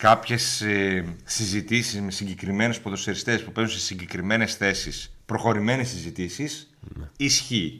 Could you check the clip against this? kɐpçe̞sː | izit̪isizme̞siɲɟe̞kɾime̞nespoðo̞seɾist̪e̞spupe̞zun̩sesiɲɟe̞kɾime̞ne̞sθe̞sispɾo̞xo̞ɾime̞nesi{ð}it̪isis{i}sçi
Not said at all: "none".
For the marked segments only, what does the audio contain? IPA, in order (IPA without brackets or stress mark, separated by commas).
z, i